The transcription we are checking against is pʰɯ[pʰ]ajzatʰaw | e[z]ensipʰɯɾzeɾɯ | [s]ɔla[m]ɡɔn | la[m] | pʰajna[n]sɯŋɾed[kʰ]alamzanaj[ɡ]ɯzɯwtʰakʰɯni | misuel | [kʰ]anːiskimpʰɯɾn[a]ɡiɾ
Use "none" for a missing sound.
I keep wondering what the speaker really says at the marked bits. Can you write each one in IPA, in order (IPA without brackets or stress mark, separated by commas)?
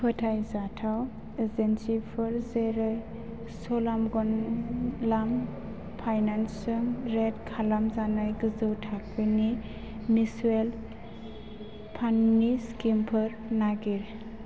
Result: tʰ, z, s, m, m, n, kʰ, ɡ, pʰ, a